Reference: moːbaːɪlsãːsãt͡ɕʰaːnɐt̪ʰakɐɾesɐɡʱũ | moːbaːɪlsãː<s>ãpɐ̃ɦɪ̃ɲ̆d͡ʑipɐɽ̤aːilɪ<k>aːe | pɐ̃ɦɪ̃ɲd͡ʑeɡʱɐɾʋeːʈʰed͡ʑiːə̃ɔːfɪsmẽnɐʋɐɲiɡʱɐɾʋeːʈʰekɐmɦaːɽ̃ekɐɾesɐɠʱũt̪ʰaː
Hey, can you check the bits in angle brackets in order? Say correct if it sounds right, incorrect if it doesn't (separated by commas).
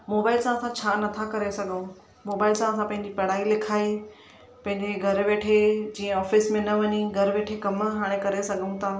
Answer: correct, incorrect